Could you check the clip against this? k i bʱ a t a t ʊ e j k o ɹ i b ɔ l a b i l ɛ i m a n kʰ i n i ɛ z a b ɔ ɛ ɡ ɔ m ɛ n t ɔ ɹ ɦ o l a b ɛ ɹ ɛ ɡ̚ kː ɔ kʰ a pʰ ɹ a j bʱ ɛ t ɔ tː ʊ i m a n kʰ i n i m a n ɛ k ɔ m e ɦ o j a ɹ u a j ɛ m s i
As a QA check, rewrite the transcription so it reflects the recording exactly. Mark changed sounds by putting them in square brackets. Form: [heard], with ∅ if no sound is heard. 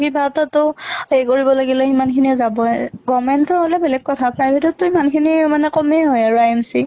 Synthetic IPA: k i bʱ a t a t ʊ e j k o ɹ i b ɔ l a [ɡ] i l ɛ i m a n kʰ i n i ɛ z a b ɔ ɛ ɡ ɔ m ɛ n t ɔ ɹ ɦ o l [ɛ] b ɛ [l] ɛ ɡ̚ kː ɔ [tʰ] a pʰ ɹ a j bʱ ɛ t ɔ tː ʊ i m a n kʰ i n i m a n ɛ k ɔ m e ɦ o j a ɹ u a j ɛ m s i